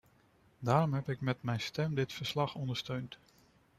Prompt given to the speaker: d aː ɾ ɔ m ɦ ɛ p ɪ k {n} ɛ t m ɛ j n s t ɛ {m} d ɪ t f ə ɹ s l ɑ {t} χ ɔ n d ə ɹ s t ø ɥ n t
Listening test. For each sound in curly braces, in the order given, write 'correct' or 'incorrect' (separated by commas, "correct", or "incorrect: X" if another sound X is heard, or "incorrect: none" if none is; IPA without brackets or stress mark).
incorrect: m, correct, incorrect: none